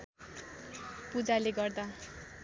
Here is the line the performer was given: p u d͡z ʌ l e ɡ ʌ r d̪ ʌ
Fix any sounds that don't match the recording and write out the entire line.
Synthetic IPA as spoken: p u d͡z a l e ɡ ʌ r d̪ a

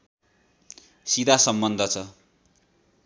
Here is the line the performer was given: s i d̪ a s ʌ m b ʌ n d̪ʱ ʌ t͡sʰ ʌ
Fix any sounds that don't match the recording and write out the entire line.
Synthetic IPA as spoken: s i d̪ a s ʌ m b ʌ n d̪ʱ ʌ t͡sʰ ʌ

